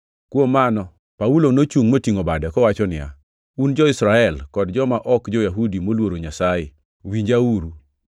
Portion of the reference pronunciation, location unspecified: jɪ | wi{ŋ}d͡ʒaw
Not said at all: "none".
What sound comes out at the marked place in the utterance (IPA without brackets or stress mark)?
ɲ